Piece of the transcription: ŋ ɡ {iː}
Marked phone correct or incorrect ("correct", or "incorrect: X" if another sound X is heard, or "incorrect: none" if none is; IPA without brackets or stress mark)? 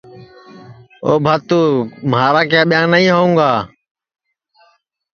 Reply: incorrect: aː